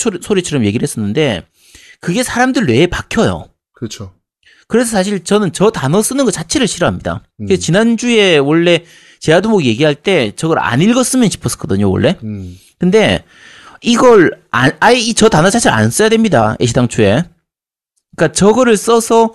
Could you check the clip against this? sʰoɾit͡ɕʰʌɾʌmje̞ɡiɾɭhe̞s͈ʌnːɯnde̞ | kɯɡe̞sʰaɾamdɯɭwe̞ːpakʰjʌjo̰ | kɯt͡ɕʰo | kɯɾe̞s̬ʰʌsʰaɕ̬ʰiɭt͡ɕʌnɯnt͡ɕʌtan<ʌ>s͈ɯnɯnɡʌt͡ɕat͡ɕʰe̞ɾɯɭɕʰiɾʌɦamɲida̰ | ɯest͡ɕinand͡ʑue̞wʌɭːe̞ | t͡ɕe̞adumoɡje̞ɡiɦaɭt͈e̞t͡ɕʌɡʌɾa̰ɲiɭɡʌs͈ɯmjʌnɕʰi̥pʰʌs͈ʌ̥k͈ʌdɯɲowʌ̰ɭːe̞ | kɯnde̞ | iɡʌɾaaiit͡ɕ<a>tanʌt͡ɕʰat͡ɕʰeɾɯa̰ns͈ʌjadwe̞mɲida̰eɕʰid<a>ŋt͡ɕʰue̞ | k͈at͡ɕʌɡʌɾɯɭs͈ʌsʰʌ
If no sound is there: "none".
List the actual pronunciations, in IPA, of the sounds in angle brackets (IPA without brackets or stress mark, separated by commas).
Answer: ʌ, ʌ, a